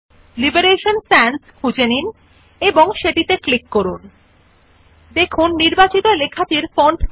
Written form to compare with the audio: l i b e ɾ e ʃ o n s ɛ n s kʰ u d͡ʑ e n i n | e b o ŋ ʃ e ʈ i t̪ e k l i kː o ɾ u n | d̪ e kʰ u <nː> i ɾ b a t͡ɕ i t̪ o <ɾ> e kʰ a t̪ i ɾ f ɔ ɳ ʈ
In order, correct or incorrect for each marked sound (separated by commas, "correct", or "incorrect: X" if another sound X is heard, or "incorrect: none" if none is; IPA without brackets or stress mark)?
correct, incorrect: l